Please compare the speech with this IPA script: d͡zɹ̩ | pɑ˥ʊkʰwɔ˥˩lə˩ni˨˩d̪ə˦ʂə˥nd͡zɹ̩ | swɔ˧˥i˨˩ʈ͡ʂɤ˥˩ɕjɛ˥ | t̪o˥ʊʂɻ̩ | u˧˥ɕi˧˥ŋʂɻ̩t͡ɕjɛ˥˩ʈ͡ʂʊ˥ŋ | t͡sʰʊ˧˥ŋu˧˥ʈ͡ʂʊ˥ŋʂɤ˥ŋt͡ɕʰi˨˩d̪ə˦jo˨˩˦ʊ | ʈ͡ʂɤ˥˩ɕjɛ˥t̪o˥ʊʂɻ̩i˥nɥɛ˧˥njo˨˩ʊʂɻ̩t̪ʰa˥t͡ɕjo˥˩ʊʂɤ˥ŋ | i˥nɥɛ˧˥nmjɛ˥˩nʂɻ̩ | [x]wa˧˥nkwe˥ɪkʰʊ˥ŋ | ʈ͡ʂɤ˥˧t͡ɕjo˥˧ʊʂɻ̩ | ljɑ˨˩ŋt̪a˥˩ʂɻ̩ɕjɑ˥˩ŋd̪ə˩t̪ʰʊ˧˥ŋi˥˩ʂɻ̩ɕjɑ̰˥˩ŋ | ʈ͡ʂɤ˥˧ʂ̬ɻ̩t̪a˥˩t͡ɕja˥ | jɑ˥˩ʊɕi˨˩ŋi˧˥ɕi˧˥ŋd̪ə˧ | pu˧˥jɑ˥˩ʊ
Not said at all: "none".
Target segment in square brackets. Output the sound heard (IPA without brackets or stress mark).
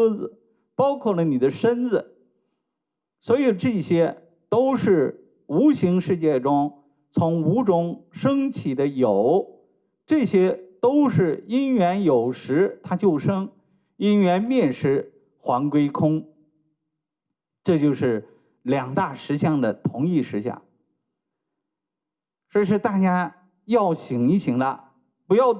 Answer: x